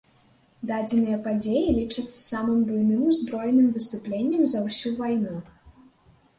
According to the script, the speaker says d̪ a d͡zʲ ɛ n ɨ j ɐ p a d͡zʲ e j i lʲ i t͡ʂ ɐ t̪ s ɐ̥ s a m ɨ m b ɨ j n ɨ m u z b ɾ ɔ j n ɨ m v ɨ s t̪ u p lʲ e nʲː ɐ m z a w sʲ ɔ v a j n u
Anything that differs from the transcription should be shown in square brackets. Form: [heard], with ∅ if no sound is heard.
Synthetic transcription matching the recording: d̪ a d͡zʲ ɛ n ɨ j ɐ p a d͡zʲ e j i lʲ i t͡ʂ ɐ t̪ s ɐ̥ s a m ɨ m b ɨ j n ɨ m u z b ɾ ɔ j n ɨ m v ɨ s t̪ u p lʲ e nʲː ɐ m z [ɐ] w sʲ [u] v a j n u